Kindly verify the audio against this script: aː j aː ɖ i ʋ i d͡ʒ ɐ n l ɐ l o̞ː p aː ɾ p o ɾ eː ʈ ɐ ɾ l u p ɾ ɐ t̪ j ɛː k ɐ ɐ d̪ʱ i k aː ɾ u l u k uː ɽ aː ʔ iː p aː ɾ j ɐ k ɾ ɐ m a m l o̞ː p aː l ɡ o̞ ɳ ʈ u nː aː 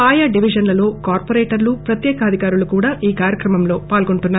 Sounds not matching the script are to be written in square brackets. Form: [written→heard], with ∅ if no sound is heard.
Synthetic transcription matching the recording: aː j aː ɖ i ʋ i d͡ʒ ɐ n l ɐ l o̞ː [p→k] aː ɾ p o ɾ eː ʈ ɐ ɾ l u p ɾ ɐ t̪ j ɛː k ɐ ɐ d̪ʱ i k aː ɾ u l u k uː ɽ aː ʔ iː [p→k] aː ɾ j ɐ k ɾ ɐ m [a→ɐ] m l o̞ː p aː l ɡ o̞ ɳ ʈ u nː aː